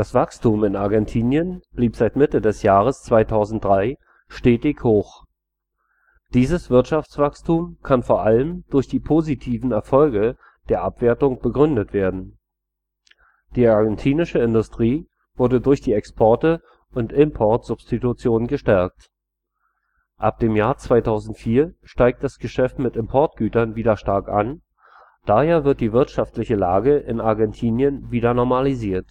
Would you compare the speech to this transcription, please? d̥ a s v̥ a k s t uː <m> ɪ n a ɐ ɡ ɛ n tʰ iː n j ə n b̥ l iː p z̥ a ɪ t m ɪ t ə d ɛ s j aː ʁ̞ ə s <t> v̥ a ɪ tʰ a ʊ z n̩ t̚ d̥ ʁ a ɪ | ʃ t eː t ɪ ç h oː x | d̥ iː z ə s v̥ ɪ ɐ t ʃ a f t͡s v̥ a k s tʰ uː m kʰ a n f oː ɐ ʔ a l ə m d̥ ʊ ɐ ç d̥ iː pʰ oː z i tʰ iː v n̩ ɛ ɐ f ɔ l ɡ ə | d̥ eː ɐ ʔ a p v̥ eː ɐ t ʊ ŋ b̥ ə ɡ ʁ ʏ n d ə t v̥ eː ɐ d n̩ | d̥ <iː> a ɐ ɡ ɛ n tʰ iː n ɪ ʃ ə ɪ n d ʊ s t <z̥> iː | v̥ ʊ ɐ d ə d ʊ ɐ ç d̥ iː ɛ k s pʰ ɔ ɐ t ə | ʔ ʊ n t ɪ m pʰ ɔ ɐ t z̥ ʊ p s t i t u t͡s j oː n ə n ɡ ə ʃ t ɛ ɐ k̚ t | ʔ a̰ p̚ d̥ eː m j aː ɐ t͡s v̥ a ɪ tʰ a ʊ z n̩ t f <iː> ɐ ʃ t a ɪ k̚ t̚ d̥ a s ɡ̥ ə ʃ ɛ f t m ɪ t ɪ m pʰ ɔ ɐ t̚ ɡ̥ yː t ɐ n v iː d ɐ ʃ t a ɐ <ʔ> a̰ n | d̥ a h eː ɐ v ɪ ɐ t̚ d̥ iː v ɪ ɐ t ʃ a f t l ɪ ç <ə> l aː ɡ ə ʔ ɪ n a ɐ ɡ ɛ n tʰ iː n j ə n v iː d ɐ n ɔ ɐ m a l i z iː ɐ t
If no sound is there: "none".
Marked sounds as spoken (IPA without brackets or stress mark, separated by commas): m, t͡s, iː, ʁ̥, iː, k, ə